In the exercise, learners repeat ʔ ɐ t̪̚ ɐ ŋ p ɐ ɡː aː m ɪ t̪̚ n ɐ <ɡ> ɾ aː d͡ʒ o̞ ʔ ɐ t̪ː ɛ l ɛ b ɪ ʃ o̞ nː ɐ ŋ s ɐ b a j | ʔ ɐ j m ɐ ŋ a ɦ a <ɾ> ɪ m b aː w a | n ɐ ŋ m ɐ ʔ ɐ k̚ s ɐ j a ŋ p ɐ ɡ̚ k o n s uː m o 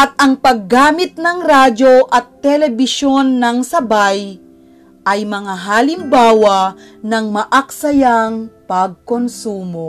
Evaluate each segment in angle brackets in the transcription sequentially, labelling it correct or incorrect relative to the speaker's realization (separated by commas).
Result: incorrect, incorrect